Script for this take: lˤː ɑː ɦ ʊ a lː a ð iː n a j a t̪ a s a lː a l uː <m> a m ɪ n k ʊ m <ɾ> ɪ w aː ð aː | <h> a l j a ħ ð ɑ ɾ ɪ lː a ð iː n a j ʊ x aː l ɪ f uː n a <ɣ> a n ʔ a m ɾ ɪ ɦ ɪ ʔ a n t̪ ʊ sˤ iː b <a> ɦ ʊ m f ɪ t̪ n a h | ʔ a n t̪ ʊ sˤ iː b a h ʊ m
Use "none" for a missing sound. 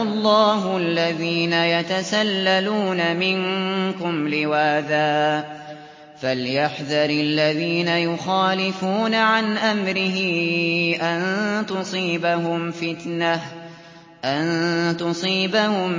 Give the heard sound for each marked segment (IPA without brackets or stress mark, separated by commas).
n, l, f, ʕ, a